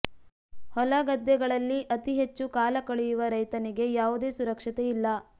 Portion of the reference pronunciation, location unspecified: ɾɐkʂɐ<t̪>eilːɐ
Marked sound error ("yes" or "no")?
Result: no